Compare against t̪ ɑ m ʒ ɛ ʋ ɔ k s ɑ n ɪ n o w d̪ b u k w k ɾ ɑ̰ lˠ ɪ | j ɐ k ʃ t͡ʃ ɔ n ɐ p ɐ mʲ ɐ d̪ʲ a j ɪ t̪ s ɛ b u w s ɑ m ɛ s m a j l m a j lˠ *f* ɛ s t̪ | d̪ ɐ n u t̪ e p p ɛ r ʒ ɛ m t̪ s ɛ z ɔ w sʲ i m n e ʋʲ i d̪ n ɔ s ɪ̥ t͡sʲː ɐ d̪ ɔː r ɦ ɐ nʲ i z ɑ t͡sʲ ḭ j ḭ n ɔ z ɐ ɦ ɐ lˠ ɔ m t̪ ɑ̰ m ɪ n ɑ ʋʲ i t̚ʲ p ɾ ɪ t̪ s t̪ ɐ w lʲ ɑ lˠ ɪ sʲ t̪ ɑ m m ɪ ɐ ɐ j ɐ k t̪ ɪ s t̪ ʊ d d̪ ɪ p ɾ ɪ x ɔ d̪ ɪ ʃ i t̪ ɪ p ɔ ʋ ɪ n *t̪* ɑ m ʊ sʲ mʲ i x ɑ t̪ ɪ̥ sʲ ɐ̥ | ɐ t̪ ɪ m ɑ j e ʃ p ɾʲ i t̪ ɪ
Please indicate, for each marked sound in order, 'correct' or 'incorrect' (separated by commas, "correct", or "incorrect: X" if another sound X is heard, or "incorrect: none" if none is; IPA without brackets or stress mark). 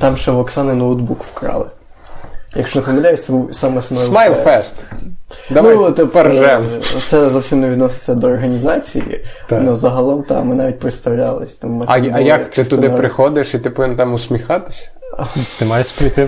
correct, correct